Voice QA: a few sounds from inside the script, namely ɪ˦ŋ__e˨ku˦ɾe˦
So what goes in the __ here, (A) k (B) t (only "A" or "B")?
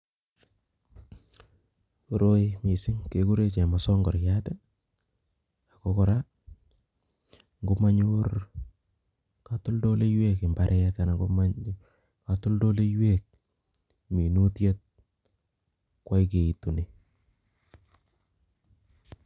A